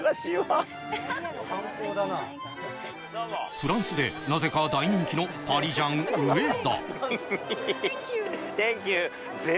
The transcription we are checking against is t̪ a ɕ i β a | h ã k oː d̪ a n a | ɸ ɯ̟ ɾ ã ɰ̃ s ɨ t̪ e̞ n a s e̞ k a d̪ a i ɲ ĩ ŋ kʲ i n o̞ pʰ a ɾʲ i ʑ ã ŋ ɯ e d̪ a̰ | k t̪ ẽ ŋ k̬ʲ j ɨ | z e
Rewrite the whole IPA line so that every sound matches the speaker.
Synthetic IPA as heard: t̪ a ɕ i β a | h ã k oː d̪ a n a | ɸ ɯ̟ ɾ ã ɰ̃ s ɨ d̪ e̞ n a z e̞ k a d̪ a i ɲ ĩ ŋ kʲ i n o̞ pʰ a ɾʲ i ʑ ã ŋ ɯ e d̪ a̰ | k t̪ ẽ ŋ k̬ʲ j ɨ | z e